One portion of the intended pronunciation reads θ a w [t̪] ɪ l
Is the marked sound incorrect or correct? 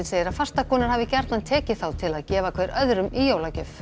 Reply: incorrect